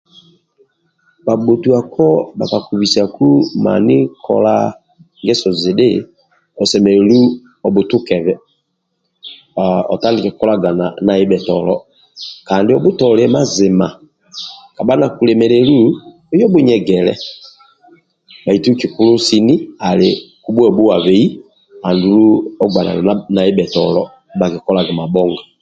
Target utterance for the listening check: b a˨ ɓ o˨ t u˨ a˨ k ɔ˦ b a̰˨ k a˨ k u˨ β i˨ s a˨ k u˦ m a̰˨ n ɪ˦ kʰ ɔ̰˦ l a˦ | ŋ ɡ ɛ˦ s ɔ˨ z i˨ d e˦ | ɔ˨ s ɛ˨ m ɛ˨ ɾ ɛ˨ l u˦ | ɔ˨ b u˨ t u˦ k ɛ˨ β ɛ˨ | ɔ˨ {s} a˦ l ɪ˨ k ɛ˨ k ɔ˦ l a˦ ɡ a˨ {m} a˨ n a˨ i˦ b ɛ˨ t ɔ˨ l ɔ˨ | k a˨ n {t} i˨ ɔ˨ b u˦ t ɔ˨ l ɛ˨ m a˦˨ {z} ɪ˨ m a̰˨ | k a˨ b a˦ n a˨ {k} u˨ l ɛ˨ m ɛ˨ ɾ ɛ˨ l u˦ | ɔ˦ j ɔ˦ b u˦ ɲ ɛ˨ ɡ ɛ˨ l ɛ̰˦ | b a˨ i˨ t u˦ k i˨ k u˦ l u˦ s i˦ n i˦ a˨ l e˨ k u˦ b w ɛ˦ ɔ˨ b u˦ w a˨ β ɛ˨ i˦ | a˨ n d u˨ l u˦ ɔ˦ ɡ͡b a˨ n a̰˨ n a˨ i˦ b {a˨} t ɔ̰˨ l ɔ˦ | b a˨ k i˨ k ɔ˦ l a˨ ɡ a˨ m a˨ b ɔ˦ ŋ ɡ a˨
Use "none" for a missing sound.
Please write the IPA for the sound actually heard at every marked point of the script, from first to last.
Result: t, n, d, z, k, ɛ˨

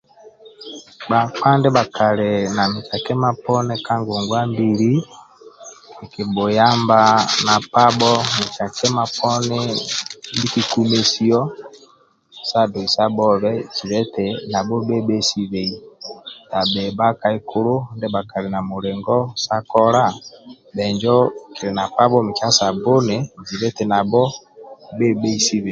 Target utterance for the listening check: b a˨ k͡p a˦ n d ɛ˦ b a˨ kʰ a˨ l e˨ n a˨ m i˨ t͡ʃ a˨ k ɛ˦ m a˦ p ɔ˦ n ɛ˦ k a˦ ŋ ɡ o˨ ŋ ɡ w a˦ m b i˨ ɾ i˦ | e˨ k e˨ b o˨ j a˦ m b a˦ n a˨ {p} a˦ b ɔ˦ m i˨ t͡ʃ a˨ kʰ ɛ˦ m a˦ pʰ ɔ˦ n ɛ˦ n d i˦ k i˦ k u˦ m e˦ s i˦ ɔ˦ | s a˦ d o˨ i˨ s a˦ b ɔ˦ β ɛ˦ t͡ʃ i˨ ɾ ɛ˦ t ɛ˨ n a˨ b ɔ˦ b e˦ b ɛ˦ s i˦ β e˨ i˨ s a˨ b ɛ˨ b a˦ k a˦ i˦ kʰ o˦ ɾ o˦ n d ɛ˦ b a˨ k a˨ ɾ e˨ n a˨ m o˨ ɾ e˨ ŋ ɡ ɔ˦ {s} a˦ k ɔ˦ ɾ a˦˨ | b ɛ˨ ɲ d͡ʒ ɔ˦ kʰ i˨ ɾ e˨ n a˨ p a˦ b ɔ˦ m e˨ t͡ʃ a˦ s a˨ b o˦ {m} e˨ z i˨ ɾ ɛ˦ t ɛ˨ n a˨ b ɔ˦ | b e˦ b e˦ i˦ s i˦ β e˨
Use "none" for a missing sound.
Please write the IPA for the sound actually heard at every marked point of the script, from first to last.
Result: p, s, n

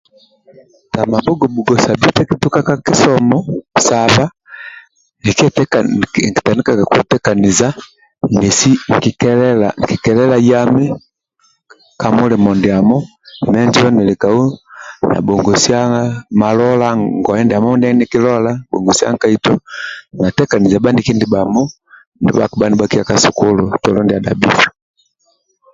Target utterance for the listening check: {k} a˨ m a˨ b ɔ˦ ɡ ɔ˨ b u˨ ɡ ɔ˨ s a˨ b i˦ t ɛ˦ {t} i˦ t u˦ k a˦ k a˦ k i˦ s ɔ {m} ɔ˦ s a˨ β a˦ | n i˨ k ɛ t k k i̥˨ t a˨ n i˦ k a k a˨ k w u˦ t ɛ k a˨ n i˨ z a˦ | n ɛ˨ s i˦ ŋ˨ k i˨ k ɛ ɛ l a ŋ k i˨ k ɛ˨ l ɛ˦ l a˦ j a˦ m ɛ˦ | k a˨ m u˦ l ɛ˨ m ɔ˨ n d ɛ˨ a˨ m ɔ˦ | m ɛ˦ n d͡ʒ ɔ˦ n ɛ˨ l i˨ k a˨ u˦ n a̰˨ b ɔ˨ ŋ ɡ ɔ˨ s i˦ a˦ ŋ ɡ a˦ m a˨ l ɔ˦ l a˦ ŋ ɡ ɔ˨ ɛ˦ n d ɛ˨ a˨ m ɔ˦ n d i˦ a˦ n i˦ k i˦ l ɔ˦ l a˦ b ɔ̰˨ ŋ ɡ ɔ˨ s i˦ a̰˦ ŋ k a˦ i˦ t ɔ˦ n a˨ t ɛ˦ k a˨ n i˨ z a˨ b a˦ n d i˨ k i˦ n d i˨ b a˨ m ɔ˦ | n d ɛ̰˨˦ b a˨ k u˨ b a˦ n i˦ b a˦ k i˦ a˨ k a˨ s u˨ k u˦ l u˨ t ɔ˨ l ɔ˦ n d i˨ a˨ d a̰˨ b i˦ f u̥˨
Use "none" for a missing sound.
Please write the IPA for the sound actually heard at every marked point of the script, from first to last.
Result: t, k, m

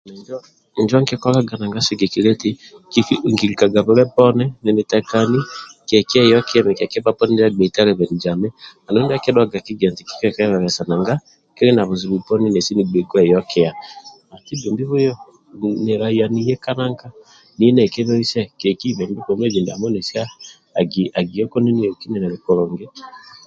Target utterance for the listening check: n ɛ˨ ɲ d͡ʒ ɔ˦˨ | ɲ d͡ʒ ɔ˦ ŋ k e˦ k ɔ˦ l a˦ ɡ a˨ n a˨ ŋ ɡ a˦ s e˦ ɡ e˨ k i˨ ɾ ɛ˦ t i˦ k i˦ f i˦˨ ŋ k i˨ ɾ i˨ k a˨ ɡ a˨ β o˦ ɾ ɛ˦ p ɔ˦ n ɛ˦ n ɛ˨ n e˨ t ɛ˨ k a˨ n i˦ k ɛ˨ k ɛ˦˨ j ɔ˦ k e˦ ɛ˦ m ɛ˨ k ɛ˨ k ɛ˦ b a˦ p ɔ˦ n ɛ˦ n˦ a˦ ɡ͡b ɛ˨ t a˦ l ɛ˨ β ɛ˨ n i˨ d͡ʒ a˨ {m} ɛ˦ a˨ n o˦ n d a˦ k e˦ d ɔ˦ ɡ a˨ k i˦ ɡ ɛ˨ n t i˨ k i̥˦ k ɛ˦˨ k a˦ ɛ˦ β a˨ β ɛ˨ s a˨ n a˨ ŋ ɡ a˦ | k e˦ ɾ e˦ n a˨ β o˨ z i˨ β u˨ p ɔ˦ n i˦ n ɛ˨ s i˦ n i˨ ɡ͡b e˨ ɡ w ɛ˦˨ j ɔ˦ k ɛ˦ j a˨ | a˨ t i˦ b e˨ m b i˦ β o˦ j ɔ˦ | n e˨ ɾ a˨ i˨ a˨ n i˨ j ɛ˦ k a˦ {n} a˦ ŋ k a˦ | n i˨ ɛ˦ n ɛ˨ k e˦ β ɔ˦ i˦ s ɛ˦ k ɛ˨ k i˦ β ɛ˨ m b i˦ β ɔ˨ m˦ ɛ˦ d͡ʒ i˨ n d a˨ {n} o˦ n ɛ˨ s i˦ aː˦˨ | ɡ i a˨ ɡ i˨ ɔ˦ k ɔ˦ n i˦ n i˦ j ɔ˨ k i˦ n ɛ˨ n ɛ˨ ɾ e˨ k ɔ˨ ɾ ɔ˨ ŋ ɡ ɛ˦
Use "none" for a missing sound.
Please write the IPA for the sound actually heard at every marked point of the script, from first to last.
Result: m, n, m

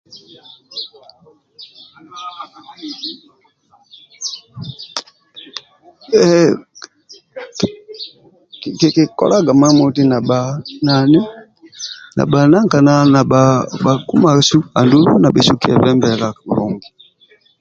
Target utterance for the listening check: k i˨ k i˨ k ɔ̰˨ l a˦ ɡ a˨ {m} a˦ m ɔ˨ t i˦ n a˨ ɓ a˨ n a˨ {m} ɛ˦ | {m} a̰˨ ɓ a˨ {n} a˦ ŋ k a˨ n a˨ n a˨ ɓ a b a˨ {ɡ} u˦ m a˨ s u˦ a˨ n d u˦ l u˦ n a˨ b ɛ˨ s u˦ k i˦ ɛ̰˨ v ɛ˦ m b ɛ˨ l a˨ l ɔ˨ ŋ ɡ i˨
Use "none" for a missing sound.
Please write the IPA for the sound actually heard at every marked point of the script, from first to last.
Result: m, n, n, n, k

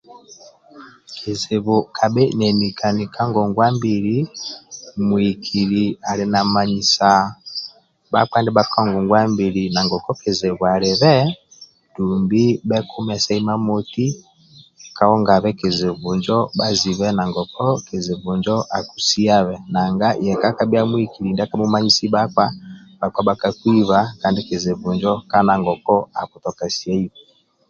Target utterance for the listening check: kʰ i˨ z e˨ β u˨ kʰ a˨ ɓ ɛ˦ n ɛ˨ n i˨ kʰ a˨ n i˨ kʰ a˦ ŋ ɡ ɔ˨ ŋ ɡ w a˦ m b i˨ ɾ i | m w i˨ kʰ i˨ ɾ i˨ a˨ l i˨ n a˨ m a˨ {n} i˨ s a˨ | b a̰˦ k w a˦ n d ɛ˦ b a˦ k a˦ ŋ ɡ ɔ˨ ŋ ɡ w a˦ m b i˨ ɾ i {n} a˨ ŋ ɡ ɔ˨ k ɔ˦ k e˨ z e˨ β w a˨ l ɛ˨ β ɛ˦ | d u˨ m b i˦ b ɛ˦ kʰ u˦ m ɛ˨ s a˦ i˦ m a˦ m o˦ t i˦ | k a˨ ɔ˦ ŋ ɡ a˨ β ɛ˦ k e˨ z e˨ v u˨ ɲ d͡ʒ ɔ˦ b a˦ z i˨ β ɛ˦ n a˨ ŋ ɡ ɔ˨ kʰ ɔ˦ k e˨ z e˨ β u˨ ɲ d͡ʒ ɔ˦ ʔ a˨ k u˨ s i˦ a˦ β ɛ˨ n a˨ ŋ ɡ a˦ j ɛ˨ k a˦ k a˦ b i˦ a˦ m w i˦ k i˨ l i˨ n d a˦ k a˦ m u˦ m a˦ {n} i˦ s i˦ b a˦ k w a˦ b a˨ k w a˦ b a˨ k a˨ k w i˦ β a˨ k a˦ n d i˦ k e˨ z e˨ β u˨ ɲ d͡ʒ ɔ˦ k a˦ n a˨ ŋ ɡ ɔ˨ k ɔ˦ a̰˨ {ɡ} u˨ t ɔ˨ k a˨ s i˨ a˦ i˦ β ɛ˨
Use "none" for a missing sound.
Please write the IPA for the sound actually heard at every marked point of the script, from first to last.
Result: ɲ, n, ɲ, k

